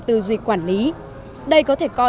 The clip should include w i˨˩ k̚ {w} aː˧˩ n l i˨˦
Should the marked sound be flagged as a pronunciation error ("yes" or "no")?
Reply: no